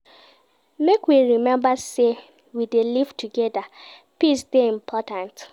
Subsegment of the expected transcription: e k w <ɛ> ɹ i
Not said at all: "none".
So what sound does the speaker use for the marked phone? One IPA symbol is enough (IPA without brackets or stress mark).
i